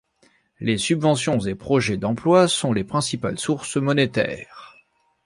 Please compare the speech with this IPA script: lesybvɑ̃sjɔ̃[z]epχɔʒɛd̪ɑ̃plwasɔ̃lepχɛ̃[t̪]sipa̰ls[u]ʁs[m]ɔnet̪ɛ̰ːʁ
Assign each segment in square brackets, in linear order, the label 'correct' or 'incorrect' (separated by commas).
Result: correct, incorrect, correct, correct